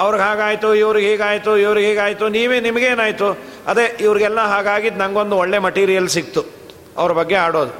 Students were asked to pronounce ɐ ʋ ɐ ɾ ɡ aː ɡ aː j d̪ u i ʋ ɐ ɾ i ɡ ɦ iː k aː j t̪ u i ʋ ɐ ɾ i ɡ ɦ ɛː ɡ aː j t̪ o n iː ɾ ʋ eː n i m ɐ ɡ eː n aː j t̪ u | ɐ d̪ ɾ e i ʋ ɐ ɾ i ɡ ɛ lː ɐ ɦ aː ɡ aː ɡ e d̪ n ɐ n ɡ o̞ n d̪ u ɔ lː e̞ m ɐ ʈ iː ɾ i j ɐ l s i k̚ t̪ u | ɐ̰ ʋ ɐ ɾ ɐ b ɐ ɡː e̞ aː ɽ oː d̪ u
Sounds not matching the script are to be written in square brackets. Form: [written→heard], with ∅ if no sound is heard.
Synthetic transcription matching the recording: ɐ ʋ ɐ ɾ ɡ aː ɡ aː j [d̪→t̪] u i ʋ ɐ ɾ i ɡ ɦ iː [k→ɡ] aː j t̪ u i ʋ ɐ ɾ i ɡ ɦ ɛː ɡ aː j t̪ [o→u] n iː [ɾ→∅] ʋ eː n i m ɐ ɡ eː n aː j t̪ u | ɐ d̪ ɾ e i ʋ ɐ ɾ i ɡ ɛ lː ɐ ɦ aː ɡ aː ɡ [e→i] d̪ n ɐ [n→ŋ] ɡ o̞ n d̪ u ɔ [lː→ɭː] e̞ m ɐ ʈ iː ɾ i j ɐ l s i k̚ t̪ u | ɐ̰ ʋ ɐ ɾ ɐ b ɐ ɡː e̞ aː ɽ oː d̪ u